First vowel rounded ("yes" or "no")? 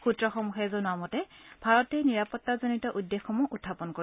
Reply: yes